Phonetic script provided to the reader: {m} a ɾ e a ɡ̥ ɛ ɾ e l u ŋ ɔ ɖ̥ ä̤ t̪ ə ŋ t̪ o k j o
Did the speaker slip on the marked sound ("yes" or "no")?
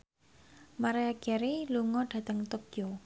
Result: no